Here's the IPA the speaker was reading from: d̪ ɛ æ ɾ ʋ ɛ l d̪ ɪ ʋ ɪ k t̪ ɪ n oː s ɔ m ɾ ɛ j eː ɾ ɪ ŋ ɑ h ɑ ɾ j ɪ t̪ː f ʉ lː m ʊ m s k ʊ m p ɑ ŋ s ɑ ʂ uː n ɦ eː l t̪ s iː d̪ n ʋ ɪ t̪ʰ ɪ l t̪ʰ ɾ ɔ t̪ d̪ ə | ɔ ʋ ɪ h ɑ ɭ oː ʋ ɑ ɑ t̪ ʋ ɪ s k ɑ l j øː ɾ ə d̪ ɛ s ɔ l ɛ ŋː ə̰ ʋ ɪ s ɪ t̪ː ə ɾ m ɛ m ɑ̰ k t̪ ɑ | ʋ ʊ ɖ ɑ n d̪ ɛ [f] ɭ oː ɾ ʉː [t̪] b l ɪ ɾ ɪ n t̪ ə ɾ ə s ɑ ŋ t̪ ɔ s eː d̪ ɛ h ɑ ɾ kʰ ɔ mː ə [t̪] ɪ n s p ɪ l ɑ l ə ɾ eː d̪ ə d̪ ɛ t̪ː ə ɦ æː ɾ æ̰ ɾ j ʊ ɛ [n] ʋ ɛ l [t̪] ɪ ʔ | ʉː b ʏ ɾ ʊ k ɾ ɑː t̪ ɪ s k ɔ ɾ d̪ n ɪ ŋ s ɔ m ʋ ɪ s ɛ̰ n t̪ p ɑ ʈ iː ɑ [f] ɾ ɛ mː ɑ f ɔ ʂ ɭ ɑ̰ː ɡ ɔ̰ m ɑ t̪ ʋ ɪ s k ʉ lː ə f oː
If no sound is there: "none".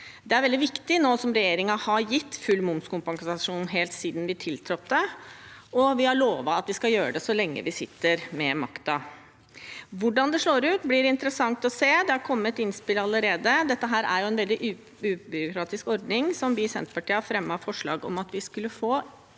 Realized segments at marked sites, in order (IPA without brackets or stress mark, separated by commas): ʂ, t̪, t̪, n, d̪, f